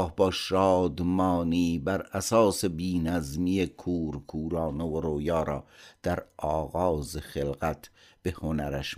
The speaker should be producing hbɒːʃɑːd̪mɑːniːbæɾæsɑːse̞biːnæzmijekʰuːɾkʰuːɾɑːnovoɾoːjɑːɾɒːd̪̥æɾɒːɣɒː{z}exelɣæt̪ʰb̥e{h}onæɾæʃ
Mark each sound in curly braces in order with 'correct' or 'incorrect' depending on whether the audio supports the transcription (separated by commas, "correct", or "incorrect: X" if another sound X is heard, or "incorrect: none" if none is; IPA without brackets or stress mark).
correct, correct